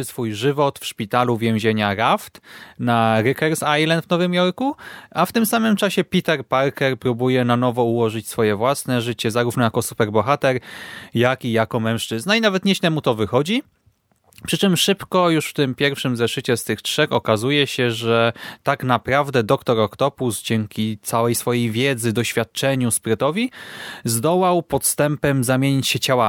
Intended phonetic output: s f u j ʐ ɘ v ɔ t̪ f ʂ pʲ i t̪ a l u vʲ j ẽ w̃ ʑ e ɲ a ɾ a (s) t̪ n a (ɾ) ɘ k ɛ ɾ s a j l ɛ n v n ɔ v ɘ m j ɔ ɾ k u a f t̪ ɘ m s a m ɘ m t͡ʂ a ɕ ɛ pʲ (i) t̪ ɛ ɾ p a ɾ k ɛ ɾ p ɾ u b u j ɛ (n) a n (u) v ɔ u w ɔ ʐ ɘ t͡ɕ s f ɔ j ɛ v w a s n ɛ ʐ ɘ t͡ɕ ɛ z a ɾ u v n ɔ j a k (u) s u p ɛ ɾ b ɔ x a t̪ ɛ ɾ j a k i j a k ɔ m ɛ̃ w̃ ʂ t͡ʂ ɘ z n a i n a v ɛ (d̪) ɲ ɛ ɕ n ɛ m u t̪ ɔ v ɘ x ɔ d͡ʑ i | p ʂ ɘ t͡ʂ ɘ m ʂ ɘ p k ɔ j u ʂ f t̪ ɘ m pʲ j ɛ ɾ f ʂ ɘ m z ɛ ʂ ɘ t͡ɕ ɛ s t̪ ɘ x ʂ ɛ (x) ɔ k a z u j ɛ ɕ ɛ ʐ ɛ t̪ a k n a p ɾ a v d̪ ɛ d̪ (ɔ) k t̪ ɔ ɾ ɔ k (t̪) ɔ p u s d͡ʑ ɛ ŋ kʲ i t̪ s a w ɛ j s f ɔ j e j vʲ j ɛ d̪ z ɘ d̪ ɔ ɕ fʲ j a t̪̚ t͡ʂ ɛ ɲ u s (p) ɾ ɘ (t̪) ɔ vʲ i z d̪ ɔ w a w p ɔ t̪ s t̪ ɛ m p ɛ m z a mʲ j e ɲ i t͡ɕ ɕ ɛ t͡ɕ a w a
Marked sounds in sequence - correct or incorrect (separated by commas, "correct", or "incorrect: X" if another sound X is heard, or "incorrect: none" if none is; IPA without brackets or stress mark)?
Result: incorrect: f, correct, correct, correct, incorrect: ɔ, incorrect: ɔ, incorrect: t̪, correct, correct, correct, correct, correct